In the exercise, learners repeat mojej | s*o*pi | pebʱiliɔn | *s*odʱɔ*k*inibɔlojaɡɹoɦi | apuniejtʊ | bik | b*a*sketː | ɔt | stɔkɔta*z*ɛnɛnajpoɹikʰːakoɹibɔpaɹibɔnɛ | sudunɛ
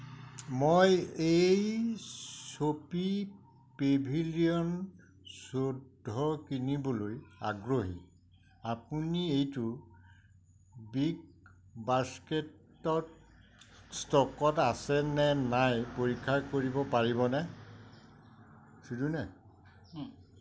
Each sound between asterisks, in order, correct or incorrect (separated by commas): correct, correct, correct, correct, incorrect